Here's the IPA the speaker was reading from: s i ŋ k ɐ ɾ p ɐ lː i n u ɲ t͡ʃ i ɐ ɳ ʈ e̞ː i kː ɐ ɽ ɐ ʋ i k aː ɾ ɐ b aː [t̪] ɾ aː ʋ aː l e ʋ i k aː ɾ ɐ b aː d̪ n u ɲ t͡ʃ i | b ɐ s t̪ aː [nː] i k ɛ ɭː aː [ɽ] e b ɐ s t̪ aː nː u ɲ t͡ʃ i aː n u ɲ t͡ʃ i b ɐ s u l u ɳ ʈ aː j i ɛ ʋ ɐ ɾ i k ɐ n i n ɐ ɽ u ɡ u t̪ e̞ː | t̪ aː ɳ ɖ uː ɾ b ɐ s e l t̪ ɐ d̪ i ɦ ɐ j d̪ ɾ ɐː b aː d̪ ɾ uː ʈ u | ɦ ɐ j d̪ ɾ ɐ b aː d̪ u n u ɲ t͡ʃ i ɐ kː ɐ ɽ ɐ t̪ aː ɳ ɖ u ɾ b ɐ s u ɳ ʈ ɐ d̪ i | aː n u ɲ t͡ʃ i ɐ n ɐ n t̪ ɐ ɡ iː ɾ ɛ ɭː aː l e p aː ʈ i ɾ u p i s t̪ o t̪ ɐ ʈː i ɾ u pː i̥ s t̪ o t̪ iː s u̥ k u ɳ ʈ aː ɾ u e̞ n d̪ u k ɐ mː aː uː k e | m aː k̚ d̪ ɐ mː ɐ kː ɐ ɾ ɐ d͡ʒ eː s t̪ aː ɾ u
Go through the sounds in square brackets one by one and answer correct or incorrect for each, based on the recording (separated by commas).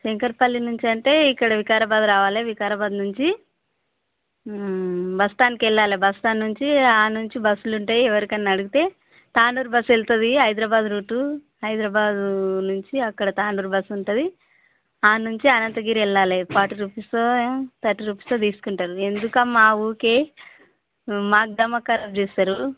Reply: incorrect, incorrect, incorrect